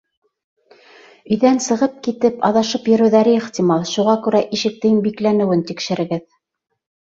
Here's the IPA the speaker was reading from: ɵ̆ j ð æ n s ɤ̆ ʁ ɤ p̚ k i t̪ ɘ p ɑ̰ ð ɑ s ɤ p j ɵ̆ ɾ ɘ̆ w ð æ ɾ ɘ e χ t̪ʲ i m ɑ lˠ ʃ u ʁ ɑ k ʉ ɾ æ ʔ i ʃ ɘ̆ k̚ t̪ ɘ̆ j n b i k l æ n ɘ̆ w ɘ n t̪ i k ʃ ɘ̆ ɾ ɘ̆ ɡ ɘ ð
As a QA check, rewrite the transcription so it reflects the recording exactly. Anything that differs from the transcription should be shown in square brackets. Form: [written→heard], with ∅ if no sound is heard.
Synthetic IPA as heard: ɵ̆ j ð æ n s ɤ̆ ʁ ɤ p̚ k i t̪ ɘ p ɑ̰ ð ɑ [s→ʃ] ɤ p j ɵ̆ ɾ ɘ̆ w ð æ ɾ ɘ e χ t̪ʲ i m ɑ lˠ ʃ u ʁ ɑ k ʉ ɾ æ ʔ i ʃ ɘ̆ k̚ t̪ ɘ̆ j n b i k l æ n ɘ̆ w ɘ n t̪ i k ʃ ɘ̆ ɾ ɘ̆ ɡ ɘ ð

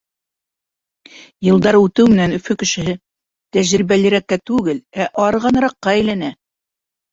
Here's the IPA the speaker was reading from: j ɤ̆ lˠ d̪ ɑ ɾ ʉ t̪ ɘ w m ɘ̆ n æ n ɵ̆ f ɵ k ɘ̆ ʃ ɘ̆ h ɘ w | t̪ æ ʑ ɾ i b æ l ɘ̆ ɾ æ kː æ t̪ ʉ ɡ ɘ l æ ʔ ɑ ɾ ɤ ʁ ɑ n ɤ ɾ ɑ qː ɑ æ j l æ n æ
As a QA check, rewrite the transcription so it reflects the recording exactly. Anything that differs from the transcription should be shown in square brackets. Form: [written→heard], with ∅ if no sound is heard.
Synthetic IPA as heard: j ɤ̆ lˠ d̪ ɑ ɾ ʉ t̪ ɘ w m ɘ̆ n æ n ɵ̆ f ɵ k ɘ̆ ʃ ɘ̆ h ɘ [w→∅] | t̪ æ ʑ ɾ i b æ l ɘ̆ ɾ æ kː æ t̪ ʉ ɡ ɘ l æ ʔ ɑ ɾ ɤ ʁ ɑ n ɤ ɾ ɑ qː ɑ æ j l æ n æ

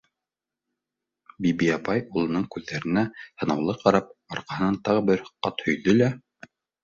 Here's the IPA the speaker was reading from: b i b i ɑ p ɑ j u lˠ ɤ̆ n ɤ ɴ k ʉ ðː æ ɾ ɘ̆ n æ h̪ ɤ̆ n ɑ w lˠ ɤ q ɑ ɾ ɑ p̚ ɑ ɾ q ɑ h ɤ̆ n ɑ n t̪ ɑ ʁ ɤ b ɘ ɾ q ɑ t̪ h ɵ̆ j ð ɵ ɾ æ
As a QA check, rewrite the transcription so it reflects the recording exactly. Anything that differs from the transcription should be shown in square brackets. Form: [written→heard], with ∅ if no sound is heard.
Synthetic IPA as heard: b i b i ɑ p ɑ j u lˠ ɤ̆ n ɤ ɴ k ʉ ðː æ ɾ ɘ̆ n æ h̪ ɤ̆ n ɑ w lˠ ɤ q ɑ ɾ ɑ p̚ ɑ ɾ q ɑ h ɤ̆ n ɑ n t̪ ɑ ʁ ɤ b ɘ ɾ q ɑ t̪ h ɵ̆ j ð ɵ [ɾ→l] æ

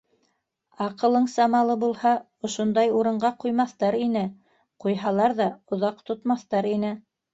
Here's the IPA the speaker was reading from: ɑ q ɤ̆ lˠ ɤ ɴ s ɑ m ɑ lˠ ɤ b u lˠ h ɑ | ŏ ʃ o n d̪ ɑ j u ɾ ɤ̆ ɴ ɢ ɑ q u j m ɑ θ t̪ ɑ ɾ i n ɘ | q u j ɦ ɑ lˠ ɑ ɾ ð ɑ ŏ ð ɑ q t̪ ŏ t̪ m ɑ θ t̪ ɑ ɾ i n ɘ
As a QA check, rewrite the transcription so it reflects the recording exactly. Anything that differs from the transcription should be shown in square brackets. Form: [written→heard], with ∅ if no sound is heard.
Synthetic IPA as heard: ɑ q ɤ̆ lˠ ɤ ɴ s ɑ m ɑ lˠ ɤ b u lˠ h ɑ | ŏ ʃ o n d̪ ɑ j u ɾ ɤ̆ ɴ ɢ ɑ q u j m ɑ θ t̪ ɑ ɾ i n ɘ | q u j ɦ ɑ lˠ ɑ ɾ ð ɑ ŏ ð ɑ q t̪ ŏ t̪ m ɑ θ t̪ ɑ ɾ i n ɘ

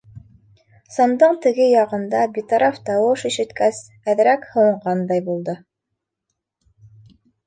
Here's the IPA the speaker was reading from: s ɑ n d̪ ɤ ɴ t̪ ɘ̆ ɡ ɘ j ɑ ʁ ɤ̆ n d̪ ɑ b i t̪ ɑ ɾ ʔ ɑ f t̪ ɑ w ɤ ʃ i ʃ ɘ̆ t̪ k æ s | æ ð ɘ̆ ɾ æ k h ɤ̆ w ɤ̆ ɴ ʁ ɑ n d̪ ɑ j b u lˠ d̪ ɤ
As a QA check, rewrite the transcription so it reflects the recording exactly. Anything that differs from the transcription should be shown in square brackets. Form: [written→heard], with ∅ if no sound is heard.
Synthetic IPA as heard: s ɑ n d̪ ɤ ɴ t̪ ɘ̆ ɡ ɘ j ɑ ʁ ɤ̆ n d̪ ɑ b i t̪ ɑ ɾ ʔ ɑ f t̪ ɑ w ɤ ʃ i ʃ ɘ̆ t̪ k æ s | æ ð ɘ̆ ɾ æ k h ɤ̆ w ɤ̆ ɴ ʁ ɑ n d̪ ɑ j b u lˠ d̪ ɤ

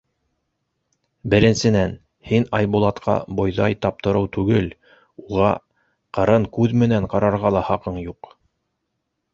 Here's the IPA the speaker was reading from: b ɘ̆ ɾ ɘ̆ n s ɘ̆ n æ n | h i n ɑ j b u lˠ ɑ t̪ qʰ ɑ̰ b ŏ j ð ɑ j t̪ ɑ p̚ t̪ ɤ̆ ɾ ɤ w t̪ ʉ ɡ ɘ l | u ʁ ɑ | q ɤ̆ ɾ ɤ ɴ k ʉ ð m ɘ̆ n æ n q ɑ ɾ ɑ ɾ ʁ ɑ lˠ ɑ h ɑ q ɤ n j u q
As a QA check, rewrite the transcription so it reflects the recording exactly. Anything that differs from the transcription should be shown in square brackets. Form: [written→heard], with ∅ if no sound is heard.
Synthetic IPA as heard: b ɘ̆ ɾ ɘ̆ n s ɘ̆ n æ n | h i n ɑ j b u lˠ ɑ t̪ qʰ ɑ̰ b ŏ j ð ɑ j t̪ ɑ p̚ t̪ ɤ̆ ɾ ɤ w t̪ ʉ ɡ ɘ l | u ʁ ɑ | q ɤ̆ ɾ ɤ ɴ k ʉ ð m ɘ̆ n æ [n→ɴ] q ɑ ɾ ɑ ɾ ʁ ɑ lˠ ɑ h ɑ q ɤ [n→ɴ] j u q

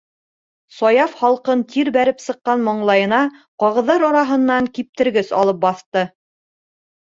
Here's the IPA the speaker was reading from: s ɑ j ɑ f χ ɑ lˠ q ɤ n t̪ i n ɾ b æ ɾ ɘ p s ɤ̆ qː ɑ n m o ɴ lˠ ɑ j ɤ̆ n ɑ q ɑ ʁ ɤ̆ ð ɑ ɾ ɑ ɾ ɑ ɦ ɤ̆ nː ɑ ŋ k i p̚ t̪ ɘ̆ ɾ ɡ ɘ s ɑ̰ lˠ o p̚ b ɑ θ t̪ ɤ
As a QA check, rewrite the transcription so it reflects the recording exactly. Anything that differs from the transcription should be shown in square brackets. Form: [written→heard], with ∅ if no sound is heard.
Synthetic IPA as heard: s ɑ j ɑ f χ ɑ lˠ q ɤ n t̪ i [n→∅] ɾ b æ ɾ ɘ p s ɤ̆ qː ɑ n m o ɴ lˠ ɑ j ɤ̆ n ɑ q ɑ ʁ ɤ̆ ð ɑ ɾ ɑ ɾ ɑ ɦ ɤ̆ nː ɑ ŋ k i p̚ t̪ ɘ̆ ɾ ɡ ɘ s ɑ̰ lˠ [o→ɤ] p̚ b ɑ θ t̪ ɤ

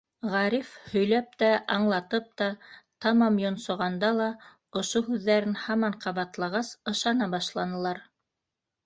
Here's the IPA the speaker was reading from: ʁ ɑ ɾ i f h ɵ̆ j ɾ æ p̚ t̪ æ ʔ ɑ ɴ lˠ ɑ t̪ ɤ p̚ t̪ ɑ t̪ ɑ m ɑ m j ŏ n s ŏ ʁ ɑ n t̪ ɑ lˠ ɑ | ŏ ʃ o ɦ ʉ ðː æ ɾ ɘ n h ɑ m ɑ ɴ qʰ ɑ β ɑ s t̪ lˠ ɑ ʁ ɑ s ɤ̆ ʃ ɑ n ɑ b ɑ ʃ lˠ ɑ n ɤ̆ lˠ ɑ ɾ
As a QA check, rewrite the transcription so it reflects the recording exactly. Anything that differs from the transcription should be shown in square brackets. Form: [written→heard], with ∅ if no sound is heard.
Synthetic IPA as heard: ʁ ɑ ɾ i f h ɵ̆ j [ɾ→l] æ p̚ t̪ æ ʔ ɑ ɴ lˠ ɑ t̪ ɤ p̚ t̪ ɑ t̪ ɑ m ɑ m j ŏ n s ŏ ʁ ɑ n [t̪→d̪] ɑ lˠ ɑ | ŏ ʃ o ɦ ʉ ðː æ ɾ ɘ n h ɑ m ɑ ɴ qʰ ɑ β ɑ [s→∅] t̪ lˠ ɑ ʁ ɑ s ɤ̆ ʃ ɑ n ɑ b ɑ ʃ lˠ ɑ n ɤ̆ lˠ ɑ ɾ

